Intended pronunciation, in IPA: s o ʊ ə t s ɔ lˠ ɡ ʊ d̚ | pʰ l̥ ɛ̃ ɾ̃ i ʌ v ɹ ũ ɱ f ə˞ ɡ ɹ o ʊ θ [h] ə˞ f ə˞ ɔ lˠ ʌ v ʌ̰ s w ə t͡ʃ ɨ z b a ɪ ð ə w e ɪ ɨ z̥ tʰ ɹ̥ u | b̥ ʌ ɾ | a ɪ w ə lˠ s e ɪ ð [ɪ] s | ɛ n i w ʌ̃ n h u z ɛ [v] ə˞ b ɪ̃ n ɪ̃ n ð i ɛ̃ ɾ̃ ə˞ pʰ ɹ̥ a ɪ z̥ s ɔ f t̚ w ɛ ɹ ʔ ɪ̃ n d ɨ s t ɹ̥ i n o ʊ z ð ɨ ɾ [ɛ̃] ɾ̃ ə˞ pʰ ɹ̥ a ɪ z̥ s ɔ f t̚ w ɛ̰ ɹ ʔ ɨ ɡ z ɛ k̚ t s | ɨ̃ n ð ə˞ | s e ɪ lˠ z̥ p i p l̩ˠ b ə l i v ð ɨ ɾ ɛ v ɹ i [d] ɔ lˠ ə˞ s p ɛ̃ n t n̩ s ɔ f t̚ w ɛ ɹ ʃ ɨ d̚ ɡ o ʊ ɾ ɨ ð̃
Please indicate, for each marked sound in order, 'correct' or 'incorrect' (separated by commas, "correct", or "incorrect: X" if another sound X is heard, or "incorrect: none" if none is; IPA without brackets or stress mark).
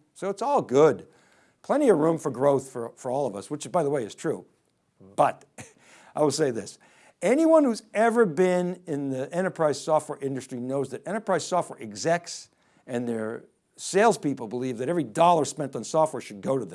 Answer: incorrect: f, correct, correct, correct, correct